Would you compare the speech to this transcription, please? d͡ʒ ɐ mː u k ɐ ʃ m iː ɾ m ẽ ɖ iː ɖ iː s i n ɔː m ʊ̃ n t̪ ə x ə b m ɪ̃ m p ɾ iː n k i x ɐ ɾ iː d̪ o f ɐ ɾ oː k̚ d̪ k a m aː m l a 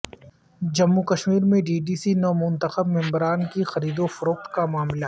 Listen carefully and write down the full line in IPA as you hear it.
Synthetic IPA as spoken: d͡ʒ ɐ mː u k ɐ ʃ m iː ɾ m ẽ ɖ iː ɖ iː s i n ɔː m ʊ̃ n t̪ ə x ə b m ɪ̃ m b ɾ aː n k i x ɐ ɾ iː d̪ o f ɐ ɾ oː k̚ t̪ k a m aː m l a